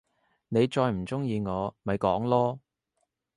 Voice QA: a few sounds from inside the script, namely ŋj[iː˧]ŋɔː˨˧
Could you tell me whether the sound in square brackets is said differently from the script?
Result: no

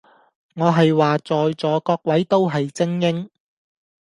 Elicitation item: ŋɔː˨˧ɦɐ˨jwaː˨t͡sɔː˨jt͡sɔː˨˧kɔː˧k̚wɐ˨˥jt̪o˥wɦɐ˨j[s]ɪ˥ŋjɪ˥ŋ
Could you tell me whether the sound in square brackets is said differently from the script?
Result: yes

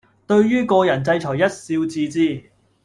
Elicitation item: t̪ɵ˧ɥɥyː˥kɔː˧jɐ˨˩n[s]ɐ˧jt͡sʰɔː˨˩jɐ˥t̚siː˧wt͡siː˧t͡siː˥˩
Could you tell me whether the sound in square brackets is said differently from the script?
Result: yes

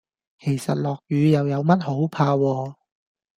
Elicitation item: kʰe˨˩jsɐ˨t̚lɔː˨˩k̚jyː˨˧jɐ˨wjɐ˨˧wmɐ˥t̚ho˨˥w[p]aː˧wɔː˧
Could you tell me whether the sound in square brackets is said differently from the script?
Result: yes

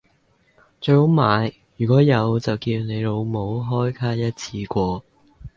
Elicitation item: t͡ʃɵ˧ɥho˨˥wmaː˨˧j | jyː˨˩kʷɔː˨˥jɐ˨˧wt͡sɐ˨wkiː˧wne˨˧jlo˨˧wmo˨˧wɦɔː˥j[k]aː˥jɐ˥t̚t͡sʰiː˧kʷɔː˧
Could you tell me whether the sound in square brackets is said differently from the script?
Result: yes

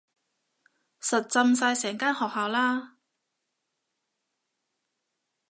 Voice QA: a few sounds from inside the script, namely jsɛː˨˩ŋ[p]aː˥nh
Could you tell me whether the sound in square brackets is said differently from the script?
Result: yes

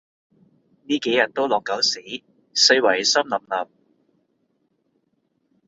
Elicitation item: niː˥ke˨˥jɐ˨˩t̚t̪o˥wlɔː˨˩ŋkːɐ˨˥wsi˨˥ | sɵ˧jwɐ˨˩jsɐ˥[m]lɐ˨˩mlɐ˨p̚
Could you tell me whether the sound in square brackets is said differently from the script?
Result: no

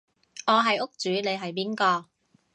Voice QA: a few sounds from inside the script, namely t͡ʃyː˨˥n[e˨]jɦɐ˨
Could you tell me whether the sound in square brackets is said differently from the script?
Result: no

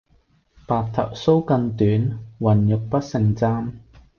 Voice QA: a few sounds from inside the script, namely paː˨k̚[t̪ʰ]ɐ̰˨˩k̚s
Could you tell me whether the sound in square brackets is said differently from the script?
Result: no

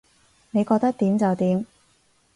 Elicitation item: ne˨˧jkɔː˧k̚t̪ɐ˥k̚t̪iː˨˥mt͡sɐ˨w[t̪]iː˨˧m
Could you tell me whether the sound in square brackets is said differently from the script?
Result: no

